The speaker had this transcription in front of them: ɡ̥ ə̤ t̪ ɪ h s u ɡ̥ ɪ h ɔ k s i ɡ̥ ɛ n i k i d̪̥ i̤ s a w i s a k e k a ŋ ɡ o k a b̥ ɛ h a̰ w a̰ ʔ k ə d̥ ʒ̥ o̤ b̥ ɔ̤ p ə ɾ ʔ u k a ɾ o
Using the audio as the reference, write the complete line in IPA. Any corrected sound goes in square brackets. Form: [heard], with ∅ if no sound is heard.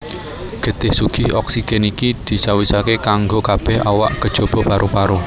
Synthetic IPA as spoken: ɡ̥ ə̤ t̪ ɪ h s u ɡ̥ ɪ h ɔ k s i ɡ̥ ɛ n i k i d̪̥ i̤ s a w i s a k e k a ŋ ɡ o k a b̥ ɛ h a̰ w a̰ ʔ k ə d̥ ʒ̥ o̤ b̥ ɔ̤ p [a] ɾ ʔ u [p] a ɾ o